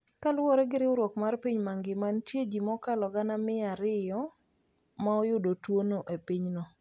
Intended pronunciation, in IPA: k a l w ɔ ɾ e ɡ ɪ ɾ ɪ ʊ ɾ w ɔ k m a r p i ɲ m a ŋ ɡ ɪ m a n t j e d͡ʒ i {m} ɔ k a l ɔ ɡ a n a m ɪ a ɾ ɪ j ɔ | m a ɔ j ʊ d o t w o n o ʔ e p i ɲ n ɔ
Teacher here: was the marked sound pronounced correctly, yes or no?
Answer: yes